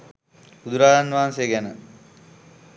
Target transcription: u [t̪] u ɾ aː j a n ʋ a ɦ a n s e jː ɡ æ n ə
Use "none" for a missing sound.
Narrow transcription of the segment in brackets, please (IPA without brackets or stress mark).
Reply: d̪